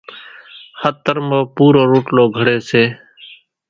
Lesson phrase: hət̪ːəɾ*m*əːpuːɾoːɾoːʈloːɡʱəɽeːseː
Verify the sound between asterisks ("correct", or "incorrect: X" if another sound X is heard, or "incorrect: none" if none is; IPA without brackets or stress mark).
correct